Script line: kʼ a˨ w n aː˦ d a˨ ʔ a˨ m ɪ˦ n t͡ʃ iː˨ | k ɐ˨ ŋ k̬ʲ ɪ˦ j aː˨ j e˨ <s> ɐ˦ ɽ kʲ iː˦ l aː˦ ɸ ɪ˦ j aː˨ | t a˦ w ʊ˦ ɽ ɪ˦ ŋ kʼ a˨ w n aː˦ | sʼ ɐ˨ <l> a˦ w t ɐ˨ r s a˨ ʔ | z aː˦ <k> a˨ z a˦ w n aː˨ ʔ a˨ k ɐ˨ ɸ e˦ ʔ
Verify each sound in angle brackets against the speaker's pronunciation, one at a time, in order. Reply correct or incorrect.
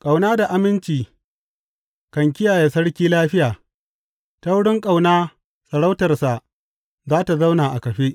correct, incorrect: ɽ, incorrect: t

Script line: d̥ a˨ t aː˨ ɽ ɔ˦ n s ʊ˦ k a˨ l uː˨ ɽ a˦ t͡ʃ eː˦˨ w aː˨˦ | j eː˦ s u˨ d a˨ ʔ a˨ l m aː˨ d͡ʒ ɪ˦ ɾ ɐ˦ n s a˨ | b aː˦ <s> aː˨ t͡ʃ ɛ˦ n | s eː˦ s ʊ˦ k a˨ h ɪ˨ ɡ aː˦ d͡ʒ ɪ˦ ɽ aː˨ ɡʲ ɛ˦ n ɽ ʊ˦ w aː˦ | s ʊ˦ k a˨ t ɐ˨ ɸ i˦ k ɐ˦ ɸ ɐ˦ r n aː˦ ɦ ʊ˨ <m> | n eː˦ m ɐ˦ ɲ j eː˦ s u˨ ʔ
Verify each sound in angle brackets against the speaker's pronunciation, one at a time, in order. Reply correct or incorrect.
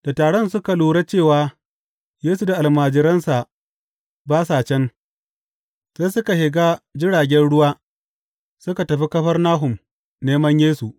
correct, correct

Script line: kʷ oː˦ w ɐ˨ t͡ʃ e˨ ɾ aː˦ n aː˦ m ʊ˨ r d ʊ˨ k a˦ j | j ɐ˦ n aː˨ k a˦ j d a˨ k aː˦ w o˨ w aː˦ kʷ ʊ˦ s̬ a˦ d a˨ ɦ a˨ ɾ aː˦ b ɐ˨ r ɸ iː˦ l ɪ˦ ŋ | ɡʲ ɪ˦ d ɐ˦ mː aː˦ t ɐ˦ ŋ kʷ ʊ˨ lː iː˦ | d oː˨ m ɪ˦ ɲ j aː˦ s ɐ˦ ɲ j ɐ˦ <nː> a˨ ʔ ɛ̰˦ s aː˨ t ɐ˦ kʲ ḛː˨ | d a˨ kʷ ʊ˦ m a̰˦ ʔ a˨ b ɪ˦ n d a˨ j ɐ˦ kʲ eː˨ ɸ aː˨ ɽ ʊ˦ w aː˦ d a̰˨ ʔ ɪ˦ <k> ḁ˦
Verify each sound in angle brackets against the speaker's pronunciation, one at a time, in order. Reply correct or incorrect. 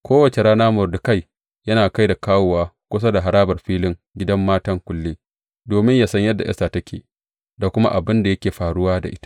incorrect: dː, incorrect: t

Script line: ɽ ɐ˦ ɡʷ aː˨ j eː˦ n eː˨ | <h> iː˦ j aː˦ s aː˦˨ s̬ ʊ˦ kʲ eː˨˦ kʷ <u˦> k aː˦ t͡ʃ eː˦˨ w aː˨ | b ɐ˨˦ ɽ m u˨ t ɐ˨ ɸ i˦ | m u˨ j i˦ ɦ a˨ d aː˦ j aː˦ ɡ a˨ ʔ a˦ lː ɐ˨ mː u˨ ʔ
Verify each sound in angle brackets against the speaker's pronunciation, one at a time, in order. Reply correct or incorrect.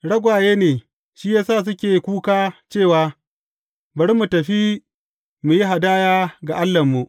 incorrect: ʃ, incorrect: uː˦

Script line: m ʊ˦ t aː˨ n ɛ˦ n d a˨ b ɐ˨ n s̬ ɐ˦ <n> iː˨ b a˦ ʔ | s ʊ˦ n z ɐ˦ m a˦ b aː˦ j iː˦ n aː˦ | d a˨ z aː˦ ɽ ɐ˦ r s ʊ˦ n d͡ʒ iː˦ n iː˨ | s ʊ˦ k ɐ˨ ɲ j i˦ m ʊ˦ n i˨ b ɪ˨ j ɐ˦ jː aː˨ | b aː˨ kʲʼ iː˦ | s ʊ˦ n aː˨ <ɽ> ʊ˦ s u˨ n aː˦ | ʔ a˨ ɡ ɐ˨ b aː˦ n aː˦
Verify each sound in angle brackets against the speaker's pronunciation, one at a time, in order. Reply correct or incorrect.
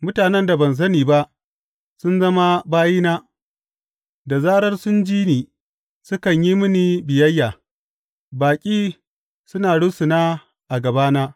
correct, correct

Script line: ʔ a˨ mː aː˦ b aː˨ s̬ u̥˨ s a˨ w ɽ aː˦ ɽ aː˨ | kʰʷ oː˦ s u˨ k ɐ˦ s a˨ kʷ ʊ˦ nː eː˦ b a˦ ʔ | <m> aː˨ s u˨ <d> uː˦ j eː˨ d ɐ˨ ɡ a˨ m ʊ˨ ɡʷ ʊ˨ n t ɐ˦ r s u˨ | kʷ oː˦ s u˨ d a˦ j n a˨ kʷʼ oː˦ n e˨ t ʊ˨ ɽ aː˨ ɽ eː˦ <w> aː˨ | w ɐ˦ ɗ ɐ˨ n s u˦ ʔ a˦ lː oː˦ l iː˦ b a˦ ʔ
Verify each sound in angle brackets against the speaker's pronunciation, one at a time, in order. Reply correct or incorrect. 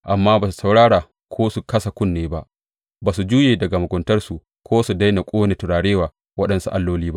incorrect: b, incorrect: d͡ʒ, correct

